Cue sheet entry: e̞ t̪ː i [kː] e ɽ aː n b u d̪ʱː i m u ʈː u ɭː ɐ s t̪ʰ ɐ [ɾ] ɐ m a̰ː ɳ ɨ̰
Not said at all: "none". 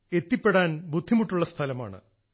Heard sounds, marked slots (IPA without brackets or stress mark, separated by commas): pː, l